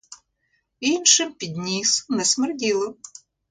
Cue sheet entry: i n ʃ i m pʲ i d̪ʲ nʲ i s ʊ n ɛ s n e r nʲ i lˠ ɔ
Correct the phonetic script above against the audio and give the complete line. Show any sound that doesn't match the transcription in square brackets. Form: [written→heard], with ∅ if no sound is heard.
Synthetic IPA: i n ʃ [i→ɪ] m pʲ i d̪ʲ nʲ i s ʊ n ɛ s [n→m] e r [nʲ→dʲ] i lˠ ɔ